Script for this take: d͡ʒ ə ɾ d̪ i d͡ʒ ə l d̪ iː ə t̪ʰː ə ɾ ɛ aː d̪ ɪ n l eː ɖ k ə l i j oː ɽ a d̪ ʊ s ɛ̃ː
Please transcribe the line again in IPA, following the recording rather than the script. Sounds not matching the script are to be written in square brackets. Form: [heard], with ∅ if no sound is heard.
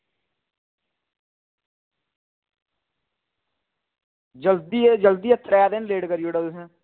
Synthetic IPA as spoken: d͡ʒ ə [l] d̪ i d͡ʒ ə l d̪ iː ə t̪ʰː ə ɾ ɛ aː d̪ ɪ n l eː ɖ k ə [ɾ] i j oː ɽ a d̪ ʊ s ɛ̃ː